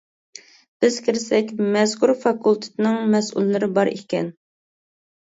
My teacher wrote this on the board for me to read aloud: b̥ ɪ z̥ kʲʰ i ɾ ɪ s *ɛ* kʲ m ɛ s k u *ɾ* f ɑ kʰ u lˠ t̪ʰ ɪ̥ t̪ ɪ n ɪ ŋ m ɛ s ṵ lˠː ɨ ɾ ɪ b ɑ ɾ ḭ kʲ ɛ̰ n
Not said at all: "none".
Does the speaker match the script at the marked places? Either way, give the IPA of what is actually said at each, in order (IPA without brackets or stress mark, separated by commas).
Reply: ɛ, ɾ